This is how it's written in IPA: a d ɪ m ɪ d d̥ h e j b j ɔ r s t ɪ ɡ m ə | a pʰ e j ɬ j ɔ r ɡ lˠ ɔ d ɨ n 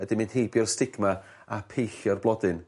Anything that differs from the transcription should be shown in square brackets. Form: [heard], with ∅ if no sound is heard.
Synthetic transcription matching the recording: [ə] d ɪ m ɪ [n] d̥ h e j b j ɔ r s t ɪ ɡ m [a] | a pʰ e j ɬ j ɔ r [b] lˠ ɔ d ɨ n